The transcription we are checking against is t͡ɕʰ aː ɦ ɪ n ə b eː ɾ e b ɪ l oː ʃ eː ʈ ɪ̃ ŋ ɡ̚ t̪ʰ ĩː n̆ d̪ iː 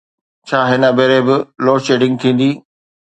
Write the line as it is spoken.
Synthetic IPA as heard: t͡ɕʰ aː ɦ ɪ n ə b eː ɾ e b ɪ l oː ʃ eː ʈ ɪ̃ ŋ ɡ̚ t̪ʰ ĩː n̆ d̪ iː